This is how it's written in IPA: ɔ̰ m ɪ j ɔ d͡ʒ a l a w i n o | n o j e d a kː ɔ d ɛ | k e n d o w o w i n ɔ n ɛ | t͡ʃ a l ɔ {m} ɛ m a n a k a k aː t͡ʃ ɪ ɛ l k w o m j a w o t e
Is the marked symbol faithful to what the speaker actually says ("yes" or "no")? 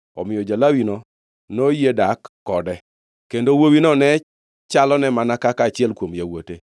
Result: no